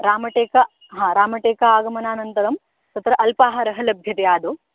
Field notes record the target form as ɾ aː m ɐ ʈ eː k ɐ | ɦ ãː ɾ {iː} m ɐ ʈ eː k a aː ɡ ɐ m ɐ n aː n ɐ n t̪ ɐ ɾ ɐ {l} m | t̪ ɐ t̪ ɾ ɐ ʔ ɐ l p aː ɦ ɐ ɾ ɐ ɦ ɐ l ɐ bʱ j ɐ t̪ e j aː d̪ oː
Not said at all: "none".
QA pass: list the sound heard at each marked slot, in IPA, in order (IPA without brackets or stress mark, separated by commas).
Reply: aː, none